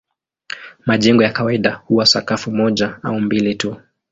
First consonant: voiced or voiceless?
voiced